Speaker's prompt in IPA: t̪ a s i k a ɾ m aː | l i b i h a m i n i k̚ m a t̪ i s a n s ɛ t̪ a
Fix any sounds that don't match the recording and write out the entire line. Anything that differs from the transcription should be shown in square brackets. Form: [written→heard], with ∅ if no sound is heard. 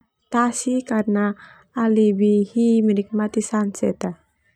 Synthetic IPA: t̪ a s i k a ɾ [m→n] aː | l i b i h [a→i] m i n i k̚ m a t̪ i s a n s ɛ t̪ a